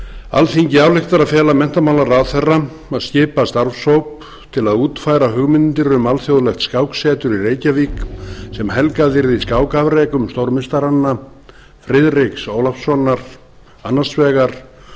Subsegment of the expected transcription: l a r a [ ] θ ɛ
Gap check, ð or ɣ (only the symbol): ð